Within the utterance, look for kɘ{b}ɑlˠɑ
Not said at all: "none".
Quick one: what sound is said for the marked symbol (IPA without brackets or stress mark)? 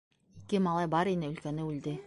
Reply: m